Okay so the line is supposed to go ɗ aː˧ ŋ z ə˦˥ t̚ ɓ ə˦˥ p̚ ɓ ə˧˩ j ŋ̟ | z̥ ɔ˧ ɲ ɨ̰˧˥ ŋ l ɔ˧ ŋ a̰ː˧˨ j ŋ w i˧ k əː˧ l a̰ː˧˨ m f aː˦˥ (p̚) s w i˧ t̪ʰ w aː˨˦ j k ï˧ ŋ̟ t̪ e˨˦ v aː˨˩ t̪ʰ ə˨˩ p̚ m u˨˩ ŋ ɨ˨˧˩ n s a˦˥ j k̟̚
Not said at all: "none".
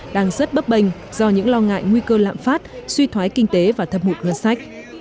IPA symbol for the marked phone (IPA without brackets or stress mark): t̚